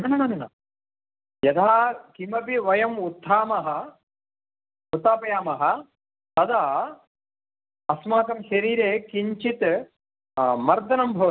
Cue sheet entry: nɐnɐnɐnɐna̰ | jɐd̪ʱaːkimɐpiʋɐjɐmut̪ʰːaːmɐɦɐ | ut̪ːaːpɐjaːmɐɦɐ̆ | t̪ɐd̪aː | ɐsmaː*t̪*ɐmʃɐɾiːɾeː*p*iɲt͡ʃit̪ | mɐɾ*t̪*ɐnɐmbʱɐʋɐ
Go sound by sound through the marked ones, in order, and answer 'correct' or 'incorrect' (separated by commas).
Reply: correct, incorrect, incorrect